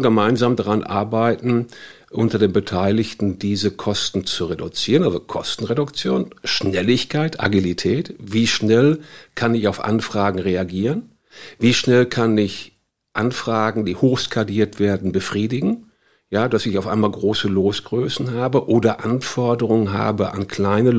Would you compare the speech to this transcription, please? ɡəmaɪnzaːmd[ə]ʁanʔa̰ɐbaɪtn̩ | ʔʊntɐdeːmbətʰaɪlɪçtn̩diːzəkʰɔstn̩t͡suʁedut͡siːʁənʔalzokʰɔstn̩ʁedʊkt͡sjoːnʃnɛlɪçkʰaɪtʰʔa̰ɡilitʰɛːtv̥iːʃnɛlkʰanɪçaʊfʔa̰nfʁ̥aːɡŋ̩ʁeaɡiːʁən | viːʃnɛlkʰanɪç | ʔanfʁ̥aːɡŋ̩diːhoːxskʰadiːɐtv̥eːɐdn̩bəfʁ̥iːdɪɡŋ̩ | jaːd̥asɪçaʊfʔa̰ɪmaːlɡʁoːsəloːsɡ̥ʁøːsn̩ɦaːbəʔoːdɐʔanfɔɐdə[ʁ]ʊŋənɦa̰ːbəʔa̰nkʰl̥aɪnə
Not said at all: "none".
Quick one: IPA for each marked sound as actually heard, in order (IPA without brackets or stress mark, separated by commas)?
a, ʁ